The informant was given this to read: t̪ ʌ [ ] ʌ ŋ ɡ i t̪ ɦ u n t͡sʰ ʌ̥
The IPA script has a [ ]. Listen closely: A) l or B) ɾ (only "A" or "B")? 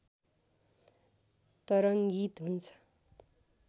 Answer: B